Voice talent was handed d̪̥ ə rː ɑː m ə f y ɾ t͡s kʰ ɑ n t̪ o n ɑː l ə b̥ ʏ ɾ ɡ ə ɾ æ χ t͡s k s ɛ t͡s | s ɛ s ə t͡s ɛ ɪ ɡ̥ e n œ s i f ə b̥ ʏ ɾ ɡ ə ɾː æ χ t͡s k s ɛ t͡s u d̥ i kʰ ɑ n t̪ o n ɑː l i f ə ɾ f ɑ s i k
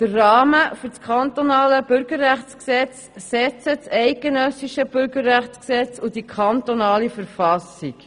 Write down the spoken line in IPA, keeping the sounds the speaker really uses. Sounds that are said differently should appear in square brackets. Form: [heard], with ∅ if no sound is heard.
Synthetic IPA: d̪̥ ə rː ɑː m ə f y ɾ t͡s kʰ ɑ n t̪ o n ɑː l ə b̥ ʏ ɾ ɡ ə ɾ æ χ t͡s k s ɛ t͡s | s ɛ [t͡s] ə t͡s ɛ ɪ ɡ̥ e n œ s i [ʃ] ə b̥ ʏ ɾ ɡ ə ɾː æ χ t͡s k s ɛ t͡s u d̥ i kʰ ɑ n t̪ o n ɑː l i f ə ɾ f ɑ s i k